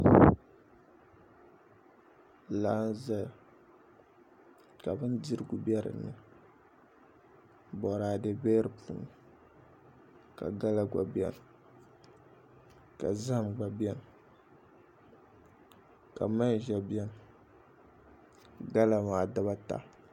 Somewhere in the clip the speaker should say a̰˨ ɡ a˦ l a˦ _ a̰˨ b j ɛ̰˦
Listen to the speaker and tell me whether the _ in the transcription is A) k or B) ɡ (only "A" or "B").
B